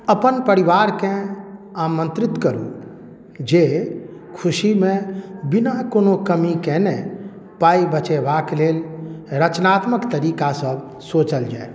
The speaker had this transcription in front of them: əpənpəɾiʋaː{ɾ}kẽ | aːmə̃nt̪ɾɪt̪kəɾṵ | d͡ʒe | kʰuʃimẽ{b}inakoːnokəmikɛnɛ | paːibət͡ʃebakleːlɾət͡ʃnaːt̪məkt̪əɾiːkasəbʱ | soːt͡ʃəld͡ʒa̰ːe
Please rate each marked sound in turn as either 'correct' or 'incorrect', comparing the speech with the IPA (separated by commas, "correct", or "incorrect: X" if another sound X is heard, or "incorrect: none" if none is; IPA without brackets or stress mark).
correct, correct